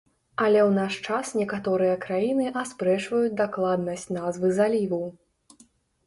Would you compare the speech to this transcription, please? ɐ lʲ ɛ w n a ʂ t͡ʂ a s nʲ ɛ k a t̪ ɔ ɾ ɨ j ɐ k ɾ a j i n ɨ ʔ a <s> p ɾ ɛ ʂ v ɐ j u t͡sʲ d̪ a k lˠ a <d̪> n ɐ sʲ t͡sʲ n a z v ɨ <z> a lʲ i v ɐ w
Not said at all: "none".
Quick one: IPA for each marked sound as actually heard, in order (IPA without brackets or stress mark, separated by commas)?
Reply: s, d̪, z